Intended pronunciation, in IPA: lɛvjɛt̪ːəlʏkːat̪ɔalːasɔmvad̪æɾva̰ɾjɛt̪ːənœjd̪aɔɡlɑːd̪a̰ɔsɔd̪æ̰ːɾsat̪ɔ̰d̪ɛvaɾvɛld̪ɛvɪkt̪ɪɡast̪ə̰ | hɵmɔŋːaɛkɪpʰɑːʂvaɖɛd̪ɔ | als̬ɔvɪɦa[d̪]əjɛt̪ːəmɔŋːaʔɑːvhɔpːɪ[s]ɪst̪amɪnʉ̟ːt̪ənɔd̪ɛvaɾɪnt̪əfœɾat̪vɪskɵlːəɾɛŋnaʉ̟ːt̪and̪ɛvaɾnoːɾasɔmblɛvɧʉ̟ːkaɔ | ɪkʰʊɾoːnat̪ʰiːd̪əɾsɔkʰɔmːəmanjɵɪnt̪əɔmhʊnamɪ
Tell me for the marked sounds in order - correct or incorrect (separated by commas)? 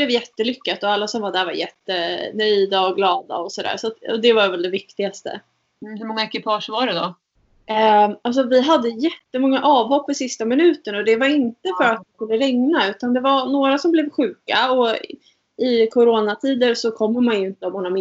incorrect, correct